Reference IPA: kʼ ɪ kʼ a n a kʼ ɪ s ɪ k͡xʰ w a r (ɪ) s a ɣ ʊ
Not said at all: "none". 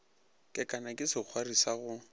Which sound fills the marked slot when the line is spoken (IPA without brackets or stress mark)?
i